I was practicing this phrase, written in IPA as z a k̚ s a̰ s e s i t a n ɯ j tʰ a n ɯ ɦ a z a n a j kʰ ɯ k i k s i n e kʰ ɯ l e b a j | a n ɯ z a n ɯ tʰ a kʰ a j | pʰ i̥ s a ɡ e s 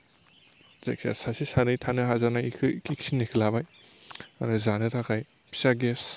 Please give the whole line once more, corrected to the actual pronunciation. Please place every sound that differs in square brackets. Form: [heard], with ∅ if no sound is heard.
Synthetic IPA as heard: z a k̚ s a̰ s [a] s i [s] a n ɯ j tʰ a n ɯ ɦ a z a n a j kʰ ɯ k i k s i n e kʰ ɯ l [a] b a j | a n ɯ z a n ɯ tʰ a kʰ a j | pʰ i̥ s a ɡ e s